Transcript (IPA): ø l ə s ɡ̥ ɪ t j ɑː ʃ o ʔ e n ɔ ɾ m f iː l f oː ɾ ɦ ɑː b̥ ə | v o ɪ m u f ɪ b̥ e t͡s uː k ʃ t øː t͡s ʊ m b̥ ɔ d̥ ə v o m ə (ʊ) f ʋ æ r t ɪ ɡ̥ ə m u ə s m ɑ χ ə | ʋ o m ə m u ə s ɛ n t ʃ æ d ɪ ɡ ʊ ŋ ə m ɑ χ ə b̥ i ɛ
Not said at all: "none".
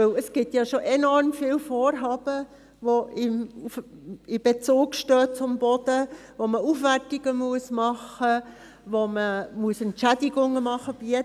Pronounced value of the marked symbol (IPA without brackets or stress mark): u